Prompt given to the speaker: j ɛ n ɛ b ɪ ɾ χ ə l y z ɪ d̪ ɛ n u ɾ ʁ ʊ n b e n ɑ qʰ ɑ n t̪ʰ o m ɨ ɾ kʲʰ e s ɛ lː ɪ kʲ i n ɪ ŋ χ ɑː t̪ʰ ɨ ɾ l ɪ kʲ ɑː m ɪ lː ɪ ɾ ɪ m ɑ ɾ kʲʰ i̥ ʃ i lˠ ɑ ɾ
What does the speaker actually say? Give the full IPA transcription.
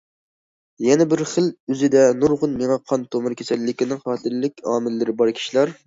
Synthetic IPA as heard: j ɛ n ɛ b ɪ ɾ χ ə l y z ɪ d̪ ɛ n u ɾ ʁ ʊ n m e ŋ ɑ qʰ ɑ n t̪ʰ o m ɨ ɾ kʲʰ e s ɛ lː ɪ kʲ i n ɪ ŋ χ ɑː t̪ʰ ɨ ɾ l ɪ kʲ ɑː m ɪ lː ɪ ɾ ɪ b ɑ ɾ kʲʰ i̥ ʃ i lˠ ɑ ɾ